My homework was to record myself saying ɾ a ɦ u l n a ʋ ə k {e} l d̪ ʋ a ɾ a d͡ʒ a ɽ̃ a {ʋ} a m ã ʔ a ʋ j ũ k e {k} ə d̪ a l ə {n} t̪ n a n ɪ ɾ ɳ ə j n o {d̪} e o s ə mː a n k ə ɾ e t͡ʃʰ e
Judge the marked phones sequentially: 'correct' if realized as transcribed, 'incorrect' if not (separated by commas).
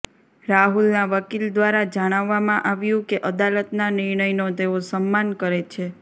incorrect, incorrect, incorrect, incorrect, incorrect